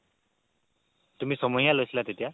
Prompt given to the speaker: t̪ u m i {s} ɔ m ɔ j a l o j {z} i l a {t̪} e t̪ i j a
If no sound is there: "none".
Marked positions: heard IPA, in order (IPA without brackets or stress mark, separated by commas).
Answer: s, s, t̪